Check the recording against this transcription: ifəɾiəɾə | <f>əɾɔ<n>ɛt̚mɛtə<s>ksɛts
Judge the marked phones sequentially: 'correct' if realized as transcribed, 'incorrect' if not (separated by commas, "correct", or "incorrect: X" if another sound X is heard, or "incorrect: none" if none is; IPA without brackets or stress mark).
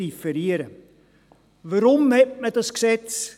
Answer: incorrect: v, incorrect: m, correct